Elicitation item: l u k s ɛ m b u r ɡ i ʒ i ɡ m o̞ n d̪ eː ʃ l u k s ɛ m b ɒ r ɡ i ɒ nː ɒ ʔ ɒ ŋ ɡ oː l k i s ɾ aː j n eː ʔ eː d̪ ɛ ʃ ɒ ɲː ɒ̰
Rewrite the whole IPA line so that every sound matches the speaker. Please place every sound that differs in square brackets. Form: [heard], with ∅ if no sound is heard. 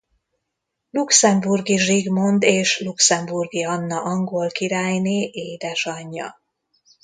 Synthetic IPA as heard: l u k s ɛ m b u r ɡ i ʒ i ɡ m o̞ n d̪ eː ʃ l u k s ɛ m b [u] r ɡ i ɒ nː ɒ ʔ ɒ ŋ ɡ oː l k i [∅] ɾ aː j n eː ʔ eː d̪ ɛ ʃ ɒ ɲː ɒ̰